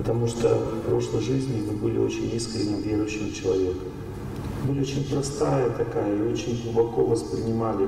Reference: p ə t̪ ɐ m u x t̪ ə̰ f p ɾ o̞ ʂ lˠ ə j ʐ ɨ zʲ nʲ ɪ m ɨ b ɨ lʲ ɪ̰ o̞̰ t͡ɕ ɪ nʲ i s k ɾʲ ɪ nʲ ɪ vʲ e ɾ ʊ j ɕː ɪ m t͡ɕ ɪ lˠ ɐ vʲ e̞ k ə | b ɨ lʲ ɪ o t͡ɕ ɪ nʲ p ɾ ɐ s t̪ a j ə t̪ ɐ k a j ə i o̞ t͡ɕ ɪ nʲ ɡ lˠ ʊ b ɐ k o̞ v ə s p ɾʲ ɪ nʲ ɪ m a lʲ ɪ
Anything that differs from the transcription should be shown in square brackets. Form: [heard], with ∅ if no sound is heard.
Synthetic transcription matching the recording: p ə t̪ ɐ m u [ʂ] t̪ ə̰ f p ɾ o̞ ʂ lˠ ə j ʐ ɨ zʲ nʲ ɪ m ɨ b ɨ lʲ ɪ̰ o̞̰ t͡ɕ ɪ nʲ i s k ɾʲ ɪ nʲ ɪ vʲ e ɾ ʊ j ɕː ɪ m t͡ɕ ɪ lˠ ɐ vʲ e̞ k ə | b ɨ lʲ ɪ o t͡ɕ ɪ nʲ p ɾ ɐ s t̪ a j ə t̪ ɐ k a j ə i o̞ t͡ɕ ɪ nʲ ɡ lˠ ʊ b ɐ k o̞ v ə s p ɾʲ ɪ nʲ ɪ m a lʲ ɪ